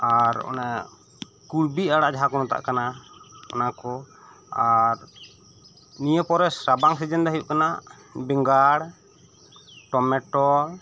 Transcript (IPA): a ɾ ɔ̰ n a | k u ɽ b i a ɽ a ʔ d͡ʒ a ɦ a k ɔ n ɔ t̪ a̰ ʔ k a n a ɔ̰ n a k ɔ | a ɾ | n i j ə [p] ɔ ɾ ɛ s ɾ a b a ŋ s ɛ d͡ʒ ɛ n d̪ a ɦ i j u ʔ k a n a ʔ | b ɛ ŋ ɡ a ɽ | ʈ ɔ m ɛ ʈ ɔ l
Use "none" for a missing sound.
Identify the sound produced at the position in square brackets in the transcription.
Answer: p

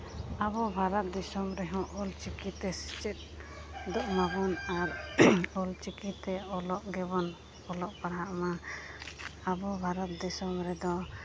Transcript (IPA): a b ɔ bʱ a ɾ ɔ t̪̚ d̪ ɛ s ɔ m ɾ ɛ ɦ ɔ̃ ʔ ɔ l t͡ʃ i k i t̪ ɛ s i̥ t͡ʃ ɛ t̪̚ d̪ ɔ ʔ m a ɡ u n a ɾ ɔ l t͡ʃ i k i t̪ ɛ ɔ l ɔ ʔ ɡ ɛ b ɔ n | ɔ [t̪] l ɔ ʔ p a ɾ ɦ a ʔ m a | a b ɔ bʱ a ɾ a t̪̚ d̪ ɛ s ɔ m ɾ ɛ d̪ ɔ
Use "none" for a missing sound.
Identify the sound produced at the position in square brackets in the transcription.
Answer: none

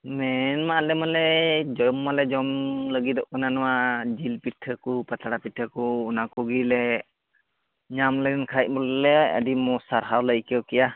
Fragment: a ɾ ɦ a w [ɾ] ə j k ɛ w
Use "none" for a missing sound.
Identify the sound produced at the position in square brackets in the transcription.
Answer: l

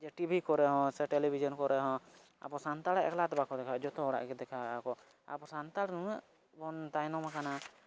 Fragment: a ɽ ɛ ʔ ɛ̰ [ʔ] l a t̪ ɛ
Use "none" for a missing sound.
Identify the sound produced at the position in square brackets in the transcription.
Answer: k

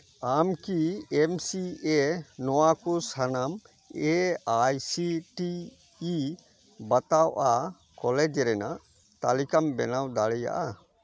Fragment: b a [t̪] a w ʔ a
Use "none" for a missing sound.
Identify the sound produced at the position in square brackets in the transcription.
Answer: t̪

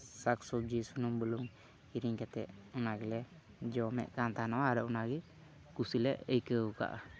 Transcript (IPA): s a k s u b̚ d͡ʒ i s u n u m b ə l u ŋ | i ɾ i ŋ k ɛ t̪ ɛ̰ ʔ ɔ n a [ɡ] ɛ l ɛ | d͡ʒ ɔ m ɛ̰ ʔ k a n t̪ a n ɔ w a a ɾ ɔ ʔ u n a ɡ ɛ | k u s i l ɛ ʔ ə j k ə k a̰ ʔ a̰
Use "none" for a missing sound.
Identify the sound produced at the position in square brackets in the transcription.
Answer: ɡ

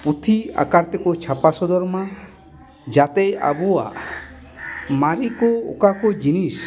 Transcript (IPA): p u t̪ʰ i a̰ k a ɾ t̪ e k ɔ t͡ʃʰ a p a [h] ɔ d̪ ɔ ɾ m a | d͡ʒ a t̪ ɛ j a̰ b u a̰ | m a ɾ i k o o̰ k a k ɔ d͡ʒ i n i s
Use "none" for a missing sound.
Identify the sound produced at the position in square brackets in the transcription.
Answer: s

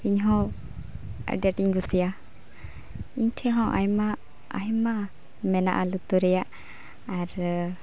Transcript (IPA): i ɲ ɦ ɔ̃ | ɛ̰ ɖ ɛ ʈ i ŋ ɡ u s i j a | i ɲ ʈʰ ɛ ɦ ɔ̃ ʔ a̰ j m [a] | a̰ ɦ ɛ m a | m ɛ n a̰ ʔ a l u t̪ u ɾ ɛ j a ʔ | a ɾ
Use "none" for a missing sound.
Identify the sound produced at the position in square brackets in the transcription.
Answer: a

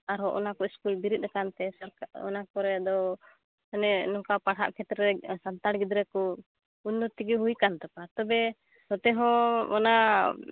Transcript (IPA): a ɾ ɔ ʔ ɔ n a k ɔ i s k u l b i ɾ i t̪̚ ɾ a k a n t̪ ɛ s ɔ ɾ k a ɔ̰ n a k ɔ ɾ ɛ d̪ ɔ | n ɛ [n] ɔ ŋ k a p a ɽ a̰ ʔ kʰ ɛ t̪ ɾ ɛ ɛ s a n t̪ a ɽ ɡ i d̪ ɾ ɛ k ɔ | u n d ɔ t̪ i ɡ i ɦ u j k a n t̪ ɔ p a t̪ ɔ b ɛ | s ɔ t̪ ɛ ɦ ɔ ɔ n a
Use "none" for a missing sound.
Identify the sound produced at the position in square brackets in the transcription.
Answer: n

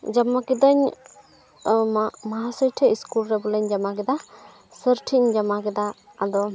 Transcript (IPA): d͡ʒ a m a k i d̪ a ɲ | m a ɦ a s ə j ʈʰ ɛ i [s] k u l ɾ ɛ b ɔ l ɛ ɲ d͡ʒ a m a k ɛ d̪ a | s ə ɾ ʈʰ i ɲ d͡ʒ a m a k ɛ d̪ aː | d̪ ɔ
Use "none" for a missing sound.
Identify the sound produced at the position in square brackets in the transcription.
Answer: s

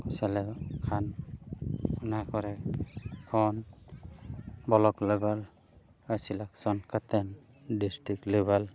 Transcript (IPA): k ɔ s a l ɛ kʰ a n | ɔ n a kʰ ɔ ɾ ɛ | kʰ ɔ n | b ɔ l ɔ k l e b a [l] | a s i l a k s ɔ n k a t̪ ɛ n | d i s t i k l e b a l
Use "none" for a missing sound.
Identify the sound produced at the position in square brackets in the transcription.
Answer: l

